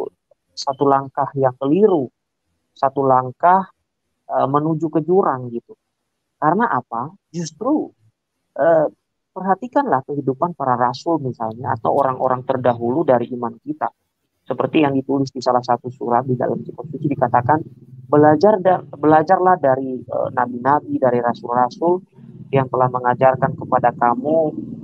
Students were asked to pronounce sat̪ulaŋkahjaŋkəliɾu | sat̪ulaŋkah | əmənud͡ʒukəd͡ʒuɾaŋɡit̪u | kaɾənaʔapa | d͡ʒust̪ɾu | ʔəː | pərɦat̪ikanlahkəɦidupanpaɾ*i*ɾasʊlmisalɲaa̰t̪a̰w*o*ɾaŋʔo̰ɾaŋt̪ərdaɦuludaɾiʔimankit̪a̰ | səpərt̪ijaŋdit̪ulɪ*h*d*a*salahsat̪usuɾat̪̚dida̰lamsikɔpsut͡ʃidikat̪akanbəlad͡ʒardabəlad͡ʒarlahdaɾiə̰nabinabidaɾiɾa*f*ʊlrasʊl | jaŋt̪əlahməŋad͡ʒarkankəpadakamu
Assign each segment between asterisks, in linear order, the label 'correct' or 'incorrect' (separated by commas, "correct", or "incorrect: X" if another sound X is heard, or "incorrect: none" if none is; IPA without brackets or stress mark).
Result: incorrect: a, correct, incorrect: s, incorrect: i, incorrect: s